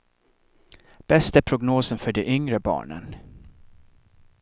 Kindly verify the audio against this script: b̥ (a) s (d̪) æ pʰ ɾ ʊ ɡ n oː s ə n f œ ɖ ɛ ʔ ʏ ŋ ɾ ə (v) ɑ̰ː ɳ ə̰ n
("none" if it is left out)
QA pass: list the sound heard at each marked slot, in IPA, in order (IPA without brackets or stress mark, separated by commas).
ɛ, t̪, b